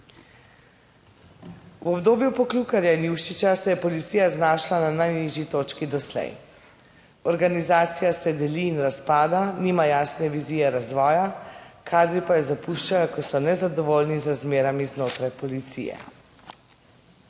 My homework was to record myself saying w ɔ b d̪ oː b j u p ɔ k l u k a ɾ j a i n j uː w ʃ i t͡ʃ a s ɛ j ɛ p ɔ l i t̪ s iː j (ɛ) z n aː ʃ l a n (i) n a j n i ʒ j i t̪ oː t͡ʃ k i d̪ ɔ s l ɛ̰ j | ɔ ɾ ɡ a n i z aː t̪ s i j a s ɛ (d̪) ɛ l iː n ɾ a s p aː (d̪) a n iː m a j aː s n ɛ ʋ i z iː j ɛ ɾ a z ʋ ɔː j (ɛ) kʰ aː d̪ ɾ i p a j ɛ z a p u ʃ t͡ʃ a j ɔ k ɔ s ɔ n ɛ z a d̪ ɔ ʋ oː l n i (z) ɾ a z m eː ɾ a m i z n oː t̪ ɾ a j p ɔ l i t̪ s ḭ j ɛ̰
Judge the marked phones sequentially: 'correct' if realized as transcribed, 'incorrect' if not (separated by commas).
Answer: incorrect, incorrect, correct, correct, incorrect, correct